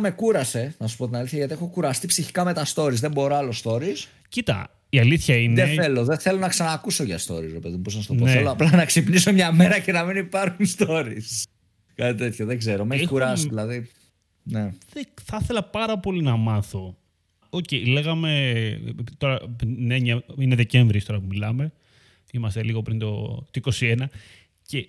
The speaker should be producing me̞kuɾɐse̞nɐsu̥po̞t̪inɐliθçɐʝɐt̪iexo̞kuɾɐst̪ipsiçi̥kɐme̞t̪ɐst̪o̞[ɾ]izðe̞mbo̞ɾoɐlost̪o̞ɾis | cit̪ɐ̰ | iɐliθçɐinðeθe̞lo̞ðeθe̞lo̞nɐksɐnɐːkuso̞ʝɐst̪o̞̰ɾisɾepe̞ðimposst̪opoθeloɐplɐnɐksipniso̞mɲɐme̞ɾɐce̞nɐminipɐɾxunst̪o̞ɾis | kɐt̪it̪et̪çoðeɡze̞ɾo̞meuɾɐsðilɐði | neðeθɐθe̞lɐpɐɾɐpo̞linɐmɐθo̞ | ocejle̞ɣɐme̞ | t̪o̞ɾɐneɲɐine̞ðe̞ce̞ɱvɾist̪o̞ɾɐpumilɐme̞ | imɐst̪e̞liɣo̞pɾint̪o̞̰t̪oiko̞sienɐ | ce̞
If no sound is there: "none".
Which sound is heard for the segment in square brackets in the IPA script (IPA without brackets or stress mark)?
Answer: ɾ